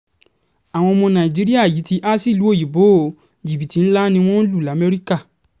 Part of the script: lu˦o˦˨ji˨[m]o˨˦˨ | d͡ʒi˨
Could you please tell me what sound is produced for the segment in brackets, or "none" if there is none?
b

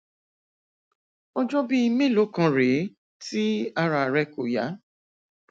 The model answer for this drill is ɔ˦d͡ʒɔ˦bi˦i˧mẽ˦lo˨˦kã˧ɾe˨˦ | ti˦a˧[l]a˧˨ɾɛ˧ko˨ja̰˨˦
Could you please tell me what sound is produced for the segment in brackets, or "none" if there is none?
ɾ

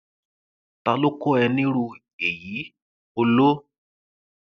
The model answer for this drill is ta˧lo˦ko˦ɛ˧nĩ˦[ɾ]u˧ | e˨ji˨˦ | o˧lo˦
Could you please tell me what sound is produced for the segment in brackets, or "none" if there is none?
ɾ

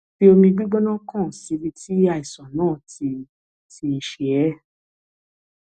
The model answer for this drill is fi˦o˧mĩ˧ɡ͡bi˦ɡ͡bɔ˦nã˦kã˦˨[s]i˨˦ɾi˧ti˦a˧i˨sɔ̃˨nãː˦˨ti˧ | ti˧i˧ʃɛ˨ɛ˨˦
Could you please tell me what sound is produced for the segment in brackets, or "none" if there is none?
s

